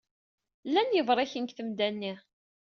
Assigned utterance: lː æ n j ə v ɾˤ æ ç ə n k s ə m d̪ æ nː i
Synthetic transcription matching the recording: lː æ n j ə v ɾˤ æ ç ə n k θ ə m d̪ æ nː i